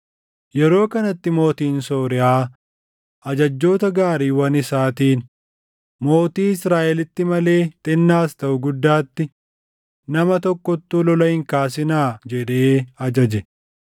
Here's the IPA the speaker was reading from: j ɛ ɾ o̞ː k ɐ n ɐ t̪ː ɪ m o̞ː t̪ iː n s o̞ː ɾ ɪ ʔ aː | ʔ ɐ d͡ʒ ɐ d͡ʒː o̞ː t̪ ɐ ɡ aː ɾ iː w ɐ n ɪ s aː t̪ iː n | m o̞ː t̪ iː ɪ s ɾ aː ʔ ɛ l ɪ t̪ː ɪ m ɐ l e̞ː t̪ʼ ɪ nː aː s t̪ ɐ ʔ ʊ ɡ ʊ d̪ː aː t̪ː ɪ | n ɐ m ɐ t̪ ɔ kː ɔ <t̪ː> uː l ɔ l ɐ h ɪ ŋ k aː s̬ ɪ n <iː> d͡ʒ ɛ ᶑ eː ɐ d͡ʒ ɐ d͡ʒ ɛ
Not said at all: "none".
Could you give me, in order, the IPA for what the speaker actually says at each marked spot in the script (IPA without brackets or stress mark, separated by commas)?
t̪ː, aː